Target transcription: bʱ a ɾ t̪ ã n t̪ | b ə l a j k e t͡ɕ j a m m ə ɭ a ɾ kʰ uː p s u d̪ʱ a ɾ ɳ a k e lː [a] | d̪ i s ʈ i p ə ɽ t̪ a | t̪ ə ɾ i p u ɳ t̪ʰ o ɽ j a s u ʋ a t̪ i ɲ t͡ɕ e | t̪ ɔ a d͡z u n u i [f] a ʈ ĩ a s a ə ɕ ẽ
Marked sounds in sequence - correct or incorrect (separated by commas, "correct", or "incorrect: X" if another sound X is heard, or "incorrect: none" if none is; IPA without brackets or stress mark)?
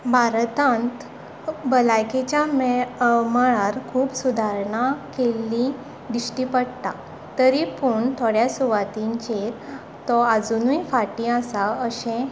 incorrect: i, correct